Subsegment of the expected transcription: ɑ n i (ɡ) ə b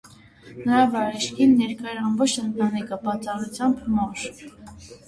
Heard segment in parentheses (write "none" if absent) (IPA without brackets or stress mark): k